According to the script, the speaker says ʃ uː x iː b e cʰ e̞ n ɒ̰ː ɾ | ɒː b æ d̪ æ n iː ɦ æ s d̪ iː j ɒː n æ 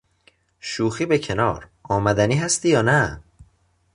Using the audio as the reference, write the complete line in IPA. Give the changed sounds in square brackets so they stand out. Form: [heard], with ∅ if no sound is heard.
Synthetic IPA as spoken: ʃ uː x iː b e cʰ e̞ n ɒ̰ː ɾ | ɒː [m] æ d̪ æ n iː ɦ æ s [t̪] iː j ɒː n æ